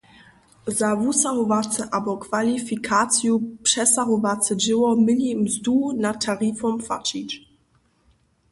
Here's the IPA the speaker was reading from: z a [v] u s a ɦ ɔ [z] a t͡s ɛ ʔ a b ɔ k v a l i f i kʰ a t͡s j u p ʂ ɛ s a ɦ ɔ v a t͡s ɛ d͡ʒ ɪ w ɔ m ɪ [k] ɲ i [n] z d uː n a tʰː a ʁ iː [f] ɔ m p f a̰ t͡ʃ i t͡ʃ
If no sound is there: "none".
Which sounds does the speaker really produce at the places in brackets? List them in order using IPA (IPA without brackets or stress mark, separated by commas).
v, v, none, m, f